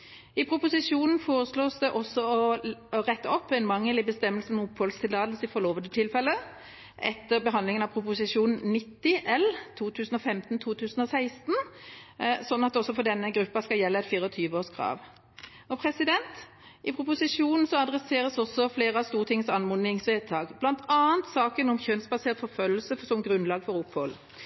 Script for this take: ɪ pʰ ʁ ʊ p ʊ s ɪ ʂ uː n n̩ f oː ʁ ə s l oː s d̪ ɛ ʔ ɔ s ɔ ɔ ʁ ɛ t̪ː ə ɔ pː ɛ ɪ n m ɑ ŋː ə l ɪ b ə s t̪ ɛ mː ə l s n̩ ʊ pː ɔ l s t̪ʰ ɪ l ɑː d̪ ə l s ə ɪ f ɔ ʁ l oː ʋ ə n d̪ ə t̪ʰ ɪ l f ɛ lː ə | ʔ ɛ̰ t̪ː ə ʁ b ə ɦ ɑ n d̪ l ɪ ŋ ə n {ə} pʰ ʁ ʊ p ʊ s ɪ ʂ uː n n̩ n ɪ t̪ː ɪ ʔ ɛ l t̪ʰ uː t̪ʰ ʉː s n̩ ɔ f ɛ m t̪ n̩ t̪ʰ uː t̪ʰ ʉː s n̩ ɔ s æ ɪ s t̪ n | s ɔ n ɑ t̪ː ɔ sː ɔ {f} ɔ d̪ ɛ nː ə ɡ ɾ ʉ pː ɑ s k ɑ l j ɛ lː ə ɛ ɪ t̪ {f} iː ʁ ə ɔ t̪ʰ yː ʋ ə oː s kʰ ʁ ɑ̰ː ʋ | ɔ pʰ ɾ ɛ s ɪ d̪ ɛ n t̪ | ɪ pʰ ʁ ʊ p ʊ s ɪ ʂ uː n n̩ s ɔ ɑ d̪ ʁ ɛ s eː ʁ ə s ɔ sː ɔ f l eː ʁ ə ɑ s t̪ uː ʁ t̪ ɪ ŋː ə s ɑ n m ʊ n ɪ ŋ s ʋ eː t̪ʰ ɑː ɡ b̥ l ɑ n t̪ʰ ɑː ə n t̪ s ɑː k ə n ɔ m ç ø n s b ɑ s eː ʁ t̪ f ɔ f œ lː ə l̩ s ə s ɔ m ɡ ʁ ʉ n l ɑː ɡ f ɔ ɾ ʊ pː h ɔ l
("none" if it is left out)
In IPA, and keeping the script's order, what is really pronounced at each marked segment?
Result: ɑ, f, f

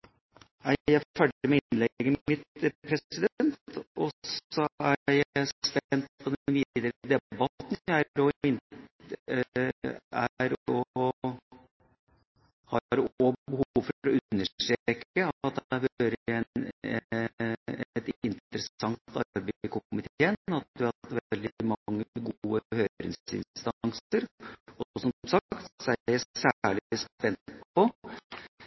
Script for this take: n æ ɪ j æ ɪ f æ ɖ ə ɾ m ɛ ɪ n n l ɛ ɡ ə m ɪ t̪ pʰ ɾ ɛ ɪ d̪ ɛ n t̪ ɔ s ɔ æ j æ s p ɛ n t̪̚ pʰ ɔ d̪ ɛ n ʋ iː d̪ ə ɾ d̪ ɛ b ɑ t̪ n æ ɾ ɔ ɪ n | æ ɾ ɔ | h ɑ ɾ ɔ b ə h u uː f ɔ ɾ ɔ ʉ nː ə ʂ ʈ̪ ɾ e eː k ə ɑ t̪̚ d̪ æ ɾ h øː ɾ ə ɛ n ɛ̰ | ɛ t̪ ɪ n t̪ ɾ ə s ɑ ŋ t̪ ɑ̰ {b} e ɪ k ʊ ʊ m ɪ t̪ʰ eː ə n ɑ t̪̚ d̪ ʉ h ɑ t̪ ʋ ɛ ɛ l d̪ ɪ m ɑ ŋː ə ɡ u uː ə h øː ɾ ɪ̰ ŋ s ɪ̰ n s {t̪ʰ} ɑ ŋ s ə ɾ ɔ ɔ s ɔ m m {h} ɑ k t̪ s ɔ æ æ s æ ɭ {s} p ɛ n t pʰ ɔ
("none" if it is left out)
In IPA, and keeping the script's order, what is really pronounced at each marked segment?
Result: b, t̪, s, s

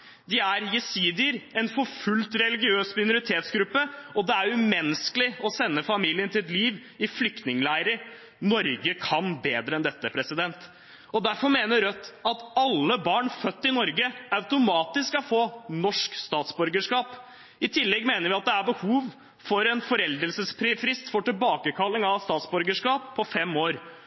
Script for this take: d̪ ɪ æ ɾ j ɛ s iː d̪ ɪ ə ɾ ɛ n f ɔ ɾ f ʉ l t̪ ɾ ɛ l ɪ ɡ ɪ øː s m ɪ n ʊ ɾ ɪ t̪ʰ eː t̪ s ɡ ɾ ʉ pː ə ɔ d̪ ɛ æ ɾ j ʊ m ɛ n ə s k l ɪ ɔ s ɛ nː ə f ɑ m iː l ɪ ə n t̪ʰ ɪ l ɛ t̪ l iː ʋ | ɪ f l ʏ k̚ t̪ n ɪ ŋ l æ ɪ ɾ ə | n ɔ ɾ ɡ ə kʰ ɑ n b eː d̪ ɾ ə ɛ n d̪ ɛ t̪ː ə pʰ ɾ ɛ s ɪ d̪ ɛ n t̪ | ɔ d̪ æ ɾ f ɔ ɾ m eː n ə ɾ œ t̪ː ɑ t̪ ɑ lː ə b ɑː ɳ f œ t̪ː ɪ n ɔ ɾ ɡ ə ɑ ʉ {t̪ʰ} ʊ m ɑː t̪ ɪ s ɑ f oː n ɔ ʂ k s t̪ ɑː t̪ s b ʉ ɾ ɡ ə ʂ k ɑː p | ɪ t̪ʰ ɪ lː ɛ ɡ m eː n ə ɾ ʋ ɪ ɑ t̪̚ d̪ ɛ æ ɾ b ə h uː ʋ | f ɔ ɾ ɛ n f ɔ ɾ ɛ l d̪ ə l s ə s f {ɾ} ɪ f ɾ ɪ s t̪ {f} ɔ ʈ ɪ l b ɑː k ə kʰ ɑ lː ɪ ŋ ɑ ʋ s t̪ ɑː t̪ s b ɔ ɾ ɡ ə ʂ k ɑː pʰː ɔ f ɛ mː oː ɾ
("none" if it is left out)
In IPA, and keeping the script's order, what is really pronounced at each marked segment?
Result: t̪, ɾ, f

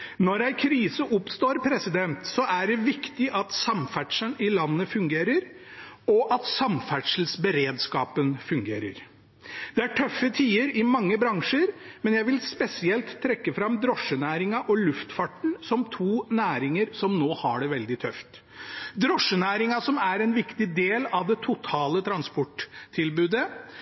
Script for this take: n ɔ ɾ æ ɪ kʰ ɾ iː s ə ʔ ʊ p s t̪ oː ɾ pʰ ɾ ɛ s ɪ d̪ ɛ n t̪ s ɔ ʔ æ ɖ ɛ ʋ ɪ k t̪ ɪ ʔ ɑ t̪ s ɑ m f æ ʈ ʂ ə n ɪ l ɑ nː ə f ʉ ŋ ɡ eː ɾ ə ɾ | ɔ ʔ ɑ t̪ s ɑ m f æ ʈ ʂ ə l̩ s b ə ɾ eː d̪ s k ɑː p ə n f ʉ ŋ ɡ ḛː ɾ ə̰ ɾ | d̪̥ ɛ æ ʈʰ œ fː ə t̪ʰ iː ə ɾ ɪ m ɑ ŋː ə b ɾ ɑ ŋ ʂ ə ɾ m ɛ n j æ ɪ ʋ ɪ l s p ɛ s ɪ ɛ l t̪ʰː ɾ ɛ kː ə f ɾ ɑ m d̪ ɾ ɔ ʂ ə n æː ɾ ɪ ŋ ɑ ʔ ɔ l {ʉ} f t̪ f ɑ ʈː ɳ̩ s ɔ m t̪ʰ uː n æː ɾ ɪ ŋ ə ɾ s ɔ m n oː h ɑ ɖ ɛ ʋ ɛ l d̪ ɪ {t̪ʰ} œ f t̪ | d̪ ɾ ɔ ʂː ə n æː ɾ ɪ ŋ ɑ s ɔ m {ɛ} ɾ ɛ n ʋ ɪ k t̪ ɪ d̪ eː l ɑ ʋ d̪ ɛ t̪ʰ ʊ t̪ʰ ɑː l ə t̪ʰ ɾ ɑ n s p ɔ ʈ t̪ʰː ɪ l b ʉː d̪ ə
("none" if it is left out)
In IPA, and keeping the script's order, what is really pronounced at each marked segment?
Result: ʉ, t̪ʰ, æ

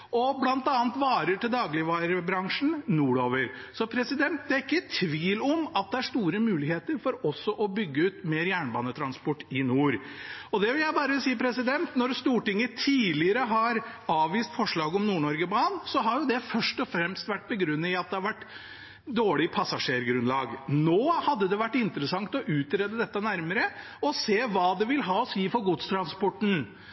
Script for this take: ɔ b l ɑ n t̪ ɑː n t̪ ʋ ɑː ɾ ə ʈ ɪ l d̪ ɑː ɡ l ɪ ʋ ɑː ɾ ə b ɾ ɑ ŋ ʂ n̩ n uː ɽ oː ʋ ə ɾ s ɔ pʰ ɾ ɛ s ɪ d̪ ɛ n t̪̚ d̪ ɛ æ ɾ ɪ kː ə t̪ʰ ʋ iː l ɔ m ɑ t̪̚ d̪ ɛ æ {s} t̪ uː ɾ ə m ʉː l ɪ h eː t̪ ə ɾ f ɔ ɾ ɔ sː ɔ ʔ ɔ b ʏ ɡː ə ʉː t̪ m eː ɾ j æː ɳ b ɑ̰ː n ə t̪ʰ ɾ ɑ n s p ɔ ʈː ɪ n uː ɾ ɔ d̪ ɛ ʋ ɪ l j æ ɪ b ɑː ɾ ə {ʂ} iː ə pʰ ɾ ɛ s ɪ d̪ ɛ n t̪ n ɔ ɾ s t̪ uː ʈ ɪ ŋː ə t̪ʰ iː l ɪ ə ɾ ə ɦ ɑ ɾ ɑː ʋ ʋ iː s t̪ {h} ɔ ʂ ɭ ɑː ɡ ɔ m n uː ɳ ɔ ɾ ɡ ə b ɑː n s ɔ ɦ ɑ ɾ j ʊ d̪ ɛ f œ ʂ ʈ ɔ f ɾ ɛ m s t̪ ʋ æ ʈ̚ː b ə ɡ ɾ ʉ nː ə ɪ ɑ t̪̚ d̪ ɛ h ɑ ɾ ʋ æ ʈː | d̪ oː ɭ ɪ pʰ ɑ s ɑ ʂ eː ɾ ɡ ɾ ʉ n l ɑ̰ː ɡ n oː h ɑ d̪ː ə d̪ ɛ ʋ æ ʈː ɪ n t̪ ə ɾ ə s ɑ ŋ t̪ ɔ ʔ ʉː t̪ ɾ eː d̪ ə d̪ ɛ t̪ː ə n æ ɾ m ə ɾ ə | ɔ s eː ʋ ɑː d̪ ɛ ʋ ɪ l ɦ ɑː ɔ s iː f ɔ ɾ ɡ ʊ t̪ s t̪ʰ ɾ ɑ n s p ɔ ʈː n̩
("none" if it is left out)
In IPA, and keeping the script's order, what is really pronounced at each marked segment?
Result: ʂ, s, f

